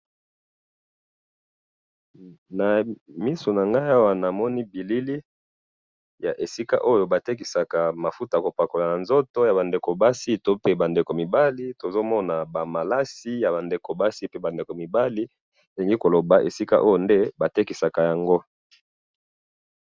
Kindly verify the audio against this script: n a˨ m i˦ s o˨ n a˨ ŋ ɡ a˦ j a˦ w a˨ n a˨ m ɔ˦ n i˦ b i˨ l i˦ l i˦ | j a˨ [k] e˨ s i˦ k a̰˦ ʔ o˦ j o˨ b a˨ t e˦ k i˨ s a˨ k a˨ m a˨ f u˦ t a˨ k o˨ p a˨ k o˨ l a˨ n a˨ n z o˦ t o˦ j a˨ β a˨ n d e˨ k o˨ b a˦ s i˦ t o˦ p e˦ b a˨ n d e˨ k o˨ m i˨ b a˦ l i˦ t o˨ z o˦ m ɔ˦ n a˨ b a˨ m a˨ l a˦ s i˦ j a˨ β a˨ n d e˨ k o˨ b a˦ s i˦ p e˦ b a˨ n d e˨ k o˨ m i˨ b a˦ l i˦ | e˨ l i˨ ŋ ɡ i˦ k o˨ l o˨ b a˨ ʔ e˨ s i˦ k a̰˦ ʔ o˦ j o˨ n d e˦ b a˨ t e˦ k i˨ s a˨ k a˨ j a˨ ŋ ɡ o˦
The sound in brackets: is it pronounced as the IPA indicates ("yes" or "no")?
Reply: no